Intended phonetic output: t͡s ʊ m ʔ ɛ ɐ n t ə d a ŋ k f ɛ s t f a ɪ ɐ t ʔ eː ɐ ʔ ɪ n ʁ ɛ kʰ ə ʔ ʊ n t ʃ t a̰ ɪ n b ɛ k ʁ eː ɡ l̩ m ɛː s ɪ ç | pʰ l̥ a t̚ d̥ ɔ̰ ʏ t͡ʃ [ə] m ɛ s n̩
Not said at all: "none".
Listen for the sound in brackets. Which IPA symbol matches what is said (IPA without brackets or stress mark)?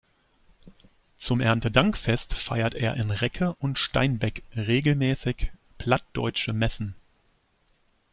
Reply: ə